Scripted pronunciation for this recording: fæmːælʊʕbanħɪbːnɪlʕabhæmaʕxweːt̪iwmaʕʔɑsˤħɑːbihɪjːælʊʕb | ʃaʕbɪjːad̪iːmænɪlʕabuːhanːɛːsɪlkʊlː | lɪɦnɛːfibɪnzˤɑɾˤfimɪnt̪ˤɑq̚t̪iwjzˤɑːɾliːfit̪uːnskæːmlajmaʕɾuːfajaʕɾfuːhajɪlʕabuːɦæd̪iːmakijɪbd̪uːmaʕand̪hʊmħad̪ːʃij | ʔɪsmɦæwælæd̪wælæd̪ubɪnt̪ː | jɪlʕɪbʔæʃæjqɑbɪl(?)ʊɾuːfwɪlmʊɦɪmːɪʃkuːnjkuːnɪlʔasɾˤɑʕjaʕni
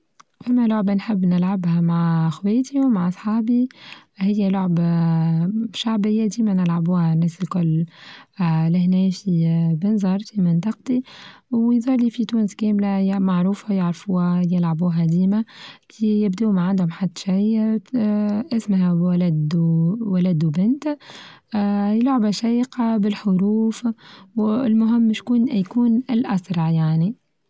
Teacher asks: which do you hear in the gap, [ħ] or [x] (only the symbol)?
ħ